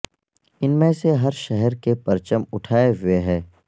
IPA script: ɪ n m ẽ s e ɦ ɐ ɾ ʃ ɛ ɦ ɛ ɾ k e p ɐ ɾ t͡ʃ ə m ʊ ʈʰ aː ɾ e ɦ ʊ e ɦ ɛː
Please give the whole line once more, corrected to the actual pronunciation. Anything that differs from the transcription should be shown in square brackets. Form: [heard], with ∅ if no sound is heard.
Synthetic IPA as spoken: ɪ n m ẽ s e ɦ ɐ ɾ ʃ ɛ ɦ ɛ ɾ k e p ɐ ɾ t͡ʃ ə m ʊ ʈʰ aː [∅] e ɦ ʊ e ɦ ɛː